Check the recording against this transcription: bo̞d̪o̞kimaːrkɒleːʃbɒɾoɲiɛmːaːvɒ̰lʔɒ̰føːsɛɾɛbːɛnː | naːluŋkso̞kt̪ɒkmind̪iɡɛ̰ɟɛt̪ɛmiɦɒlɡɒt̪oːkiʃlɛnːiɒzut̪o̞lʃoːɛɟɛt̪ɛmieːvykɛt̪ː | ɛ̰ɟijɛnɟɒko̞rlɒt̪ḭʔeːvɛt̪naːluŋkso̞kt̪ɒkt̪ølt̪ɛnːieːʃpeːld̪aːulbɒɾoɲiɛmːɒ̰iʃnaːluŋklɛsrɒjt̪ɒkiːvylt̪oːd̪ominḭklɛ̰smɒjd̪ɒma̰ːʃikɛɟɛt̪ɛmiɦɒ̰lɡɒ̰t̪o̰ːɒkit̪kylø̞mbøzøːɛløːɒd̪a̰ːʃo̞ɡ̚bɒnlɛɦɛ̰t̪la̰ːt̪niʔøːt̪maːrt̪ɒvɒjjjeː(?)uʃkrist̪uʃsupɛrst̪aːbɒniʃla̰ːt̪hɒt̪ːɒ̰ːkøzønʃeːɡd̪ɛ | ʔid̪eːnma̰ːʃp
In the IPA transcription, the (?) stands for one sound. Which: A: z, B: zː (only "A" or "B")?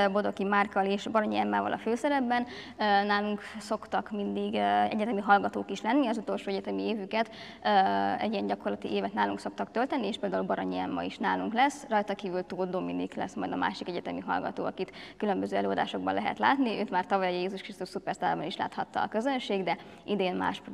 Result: A